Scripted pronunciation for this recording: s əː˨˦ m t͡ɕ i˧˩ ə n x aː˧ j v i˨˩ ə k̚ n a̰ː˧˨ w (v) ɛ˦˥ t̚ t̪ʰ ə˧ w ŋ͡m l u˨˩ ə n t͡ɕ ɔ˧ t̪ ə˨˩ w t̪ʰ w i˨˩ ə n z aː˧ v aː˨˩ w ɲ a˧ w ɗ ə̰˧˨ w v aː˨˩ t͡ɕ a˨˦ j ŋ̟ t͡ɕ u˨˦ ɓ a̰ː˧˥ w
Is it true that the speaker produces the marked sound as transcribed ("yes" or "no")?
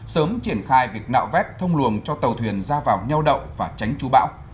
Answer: yes